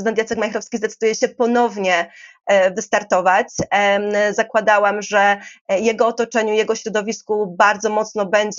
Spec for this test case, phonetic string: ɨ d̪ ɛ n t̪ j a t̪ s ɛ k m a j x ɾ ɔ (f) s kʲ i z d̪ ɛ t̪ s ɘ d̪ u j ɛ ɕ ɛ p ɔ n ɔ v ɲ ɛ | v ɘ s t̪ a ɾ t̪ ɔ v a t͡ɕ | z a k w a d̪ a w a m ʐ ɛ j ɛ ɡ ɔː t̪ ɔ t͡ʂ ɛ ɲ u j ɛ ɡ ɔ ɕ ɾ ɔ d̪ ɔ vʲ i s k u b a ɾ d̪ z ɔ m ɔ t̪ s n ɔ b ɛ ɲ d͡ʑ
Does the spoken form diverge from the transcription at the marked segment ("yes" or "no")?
no